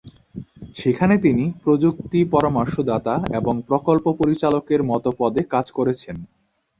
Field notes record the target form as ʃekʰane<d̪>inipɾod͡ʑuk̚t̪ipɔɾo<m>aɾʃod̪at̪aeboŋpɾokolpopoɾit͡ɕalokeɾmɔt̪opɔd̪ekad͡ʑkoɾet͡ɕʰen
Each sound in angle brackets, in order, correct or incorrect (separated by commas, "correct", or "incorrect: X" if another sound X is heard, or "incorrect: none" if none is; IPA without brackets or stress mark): incorrect: t̪, correct